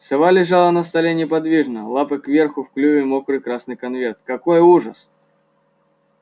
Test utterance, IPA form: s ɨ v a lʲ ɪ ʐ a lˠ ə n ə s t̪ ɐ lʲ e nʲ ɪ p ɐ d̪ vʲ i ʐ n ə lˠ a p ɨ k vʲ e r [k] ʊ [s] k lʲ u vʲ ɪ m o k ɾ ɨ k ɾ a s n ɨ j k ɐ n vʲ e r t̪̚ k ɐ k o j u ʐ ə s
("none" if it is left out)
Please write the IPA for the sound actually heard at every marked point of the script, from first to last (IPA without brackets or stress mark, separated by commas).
x, f